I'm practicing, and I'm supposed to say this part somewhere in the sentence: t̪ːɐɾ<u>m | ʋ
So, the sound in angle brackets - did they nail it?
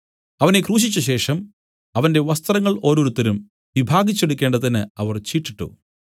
yes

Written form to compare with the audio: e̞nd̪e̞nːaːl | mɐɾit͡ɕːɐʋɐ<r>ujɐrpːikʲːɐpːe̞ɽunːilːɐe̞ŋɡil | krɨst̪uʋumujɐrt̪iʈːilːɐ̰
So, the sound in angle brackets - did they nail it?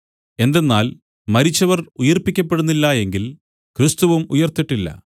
yes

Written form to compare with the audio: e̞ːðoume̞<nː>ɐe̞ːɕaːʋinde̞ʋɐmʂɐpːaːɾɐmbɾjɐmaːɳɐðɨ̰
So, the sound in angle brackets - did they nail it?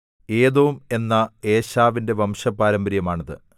yes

